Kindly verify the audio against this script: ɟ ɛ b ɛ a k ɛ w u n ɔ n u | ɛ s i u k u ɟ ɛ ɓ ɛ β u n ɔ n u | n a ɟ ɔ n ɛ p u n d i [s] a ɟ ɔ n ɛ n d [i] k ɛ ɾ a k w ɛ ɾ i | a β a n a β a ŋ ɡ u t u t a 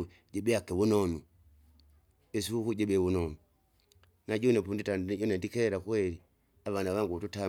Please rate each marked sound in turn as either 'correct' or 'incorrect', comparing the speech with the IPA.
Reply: incorrect: t, correct

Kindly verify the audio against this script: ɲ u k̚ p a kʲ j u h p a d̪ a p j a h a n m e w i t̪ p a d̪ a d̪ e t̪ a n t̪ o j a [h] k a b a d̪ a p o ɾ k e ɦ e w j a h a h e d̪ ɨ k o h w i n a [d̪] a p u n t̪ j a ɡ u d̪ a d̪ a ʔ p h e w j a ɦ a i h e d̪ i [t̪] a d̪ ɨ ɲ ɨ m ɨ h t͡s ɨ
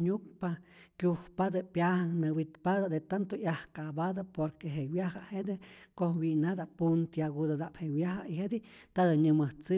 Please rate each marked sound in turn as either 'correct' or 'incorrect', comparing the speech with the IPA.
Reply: correct, correct, correct

